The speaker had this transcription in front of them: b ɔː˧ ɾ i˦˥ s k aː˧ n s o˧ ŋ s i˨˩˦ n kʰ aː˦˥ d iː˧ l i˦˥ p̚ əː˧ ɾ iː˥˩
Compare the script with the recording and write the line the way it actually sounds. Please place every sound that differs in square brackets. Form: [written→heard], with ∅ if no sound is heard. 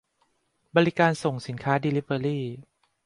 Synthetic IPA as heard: b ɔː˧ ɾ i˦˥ [s→∅] k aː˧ n s [o˧→o˨˩] ŋ s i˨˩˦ n kʰ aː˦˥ d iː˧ l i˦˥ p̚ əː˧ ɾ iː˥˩